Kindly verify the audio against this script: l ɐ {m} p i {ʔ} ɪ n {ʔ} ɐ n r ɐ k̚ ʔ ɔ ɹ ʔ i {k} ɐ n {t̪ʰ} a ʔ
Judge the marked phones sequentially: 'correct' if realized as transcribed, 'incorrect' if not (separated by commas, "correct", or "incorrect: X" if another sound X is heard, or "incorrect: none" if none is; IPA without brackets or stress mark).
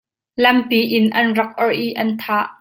correct, correct, correct, incorrect: ʔ, correct